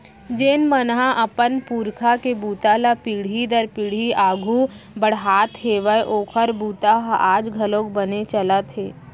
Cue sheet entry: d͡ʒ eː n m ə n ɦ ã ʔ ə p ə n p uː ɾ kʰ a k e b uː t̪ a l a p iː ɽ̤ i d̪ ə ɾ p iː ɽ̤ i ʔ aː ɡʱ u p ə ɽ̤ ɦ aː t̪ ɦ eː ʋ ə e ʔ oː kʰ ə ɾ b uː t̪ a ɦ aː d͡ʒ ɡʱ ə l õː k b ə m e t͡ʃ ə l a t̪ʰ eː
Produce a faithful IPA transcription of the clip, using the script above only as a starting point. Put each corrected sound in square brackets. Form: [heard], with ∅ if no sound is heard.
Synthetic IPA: d͡ʒ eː n m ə n ɦ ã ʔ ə p ə n p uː ɾ kʰ a k e b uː t̪ a l a p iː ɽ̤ i d̪ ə ɾ p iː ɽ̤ i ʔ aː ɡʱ u [b] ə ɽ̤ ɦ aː t̪ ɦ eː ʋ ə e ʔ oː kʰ ə ɾ b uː t̪ a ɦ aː d͡ʒ ɡʱ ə l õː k b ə [n] e t͡ʃ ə l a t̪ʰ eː